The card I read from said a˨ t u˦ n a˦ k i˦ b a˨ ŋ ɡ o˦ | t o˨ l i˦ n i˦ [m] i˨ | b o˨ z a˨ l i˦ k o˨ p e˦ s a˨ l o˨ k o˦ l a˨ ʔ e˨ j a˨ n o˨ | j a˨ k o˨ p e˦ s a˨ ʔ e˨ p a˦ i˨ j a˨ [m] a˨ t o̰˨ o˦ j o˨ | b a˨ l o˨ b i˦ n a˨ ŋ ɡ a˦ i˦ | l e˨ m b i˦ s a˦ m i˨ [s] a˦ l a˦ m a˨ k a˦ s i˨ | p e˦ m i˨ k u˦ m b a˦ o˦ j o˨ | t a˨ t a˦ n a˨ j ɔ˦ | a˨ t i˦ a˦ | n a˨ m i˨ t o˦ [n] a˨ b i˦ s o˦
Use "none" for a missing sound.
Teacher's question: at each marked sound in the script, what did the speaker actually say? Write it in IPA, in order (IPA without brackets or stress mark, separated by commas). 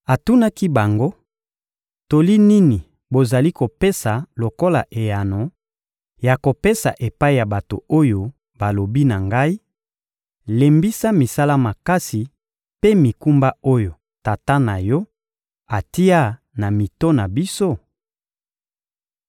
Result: n, b, s, n